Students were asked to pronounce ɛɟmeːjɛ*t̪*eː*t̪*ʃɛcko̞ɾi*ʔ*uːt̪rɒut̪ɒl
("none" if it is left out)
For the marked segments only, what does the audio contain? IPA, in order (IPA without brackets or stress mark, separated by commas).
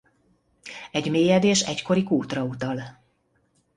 d̪, none, k